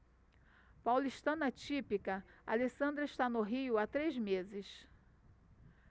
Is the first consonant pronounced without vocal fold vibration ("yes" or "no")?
yes